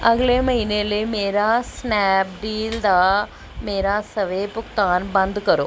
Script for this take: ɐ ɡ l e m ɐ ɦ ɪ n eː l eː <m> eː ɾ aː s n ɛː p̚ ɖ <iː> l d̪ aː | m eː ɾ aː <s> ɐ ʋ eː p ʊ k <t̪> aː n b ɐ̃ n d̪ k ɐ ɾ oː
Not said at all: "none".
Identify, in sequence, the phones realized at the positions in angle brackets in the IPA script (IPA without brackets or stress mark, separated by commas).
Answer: m, iː, s, t̪